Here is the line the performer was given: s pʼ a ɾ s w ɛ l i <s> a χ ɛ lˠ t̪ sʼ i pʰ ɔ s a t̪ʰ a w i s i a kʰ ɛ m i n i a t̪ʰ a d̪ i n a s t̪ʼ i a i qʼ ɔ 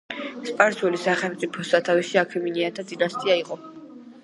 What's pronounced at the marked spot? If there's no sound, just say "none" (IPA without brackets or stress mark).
s